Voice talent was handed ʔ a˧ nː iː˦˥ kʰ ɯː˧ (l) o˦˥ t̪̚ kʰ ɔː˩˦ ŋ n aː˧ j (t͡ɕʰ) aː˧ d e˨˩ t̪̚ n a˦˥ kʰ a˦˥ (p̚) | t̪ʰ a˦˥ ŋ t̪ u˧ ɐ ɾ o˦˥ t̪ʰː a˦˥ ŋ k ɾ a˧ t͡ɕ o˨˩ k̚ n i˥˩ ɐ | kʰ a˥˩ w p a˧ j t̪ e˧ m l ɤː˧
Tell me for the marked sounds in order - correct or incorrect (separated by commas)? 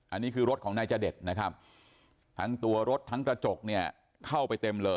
incorrect, incorrect, correct